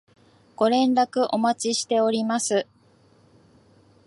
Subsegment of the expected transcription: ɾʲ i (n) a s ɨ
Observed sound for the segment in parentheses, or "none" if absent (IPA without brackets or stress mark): m